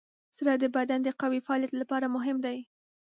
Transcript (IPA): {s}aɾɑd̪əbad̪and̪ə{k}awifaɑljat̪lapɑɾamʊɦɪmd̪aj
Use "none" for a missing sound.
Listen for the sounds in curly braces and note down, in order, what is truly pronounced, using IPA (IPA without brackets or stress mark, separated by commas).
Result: s, q